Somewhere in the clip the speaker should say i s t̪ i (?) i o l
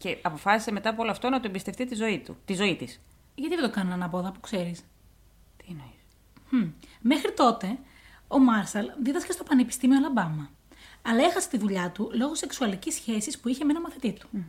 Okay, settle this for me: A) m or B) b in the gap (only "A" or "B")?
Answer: A